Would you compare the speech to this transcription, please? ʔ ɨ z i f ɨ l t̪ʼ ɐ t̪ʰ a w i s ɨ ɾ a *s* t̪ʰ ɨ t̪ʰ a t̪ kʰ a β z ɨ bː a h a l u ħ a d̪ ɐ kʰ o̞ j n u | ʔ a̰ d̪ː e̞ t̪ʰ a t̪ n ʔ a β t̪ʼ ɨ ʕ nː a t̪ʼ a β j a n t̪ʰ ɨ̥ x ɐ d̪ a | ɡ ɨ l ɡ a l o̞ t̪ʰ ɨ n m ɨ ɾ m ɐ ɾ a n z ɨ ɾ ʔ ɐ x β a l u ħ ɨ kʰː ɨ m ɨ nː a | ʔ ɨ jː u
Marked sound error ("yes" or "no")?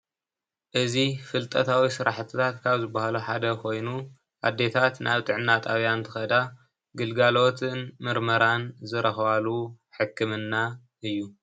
yes